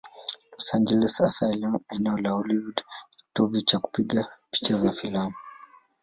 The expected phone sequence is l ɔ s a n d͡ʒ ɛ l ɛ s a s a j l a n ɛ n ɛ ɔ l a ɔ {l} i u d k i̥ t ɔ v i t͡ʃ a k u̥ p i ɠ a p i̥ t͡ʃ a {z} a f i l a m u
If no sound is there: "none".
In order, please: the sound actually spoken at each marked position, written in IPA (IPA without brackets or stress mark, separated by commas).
l, z